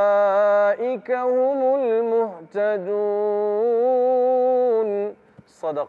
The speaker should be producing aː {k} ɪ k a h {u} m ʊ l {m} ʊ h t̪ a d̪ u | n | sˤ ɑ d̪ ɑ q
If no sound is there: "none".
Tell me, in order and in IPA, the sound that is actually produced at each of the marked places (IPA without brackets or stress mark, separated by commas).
ʔ, ʊ, m